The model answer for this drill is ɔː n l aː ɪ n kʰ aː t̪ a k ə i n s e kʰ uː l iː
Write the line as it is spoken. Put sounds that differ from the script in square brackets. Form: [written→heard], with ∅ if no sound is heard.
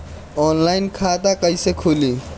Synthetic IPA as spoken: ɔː n l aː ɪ n kʰ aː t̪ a k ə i [n→∅] s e kʰ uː l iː